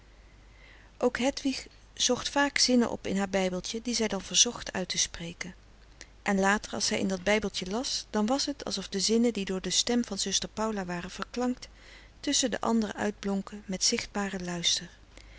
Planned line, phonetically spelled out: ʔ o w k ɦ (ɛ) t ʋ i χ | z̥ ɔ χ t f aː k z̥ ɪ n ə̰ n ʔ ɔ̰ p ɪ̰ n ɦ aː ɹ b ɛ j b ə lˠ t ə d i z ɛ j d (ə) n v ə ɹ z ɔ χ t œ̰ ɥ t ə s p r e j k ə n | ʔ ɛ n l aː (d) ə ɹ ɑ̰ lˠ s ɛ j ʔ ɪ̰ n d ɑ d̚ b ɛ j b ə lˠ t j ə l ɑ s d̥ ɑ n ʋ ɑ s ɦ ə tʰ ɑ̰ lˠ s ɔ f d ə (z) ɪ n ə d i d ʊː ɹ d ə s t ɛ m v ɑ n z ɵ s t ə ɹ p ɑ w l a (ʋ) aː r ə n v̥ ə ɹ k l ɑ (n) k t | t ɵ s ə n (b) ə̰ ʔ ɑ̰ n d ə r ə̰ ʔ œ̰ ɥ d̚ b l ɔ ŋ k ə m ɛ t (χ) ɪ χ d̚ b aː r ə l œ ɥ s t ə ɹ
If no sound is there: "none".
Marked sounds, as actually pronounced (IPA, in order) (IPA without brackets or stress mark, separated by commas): ɛ, ɑ, t, z, ʋ, ŋ, d, s